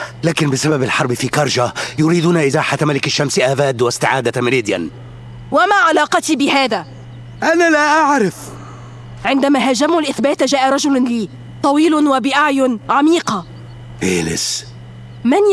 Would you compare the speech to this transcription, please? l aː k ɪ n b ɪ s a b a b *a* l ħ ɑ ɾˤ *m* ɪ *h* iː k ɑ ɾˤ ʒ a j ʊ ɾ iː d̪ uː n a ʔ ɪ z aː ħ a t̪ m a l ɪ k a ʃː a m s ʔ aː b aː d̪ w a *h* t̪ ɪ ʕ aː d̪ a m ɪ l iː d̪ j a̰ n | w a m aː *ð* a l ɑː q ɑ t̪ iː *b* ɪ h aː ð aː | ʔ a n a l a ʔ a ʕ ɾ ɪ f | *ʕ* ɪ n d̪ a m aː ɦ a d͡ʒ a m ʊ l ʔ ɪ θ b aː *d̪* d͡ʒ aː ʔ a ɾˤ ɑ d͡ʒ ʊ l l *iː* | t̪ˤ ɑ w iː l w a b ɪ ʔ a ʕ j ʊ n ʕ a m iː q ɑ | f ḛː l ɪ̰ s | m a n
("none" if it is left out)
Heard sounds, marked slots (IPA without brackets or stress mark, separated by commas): a, b, f, s, ʕ, b, ʕ, t̪, iː